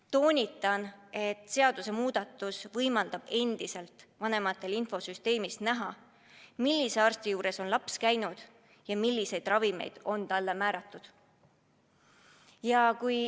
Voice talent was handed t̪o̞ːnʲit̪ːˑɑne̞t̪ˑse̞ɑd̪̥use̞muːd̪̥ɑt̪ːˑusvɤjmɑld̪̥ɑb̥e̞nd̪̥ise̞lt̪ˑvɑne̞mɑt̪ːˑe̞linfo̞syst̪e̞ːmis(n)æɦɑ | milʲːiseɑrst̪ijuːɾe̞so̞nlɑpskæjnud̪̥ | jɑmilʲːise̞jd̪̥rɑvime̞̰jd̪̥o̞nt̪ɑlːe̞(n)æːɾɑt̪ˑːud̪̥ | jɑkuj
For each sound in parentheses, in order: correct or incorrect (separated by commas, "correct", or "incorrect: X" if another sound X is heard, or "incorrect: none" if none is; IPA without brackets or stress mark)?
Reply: correct, incorrect: m